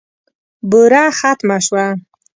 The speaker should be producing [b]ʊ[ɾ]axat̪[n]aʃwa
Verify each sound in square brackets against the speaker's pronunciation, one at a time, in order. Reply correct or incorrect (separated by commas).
correct, correct, incorrect